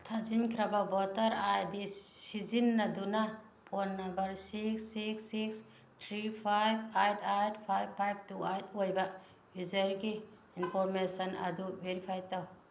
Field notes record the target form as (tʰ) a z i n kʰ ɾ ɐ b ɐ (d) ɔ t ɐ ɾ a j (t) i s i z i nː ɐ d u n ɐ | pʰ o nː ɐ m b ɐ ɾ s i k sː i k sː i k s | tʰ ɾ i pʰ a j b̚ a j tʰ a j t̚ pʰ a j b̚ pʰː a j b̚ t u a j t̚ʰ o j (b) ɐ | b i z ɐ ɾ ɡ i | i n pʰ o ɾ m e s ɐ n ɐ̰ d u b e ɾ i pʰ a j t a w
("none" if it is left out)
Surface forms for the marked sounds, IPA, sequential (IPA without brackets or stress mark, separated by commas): tʰ, b, d, b